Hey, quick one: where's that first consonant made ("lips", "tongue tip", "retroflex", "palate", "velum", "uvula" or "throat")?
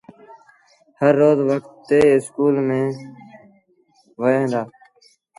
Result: throat